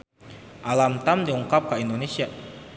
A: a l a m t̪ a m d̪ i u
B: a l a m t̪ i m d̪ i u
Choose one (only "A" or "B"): A